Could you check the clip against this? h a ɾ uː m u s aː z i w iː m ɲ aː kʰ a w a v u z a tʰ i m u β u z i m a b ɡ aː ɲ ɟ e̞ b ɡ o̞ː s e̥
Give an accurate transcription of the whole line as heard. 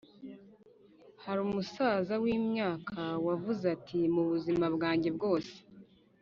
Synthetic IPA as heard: h a ɾ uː m u s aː z a w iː m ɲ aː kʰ a w a v u z a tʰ i m u β u z i m a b ɡ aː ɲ ɟ e̞ b ɡ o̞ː s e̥